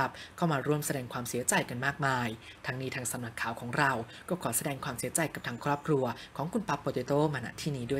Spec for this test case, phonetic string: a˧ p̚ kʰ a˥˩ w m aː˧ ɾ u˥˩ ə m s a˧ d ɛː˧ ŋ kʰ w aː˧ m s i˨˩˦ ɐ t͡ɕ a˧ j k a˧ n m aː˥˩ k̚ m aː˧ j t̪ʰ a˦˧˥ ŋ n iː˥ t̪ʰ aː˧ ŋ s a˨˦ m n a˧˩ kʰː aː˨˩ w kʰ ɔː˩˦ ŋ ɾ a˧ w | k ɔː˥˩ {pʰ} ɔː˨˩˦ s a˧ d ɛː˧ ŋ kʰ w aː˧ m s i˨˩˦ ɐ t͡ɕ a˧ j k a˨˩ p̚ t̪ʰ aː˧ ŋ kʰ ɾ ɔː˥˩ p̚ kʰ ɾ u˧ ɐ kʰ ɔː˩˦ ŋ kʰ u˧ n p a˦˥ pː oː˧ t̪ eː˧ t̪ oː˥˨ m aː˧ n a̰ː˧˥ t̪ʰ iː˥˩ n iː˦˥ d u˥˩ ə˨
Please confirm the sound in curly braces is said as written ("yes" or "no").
no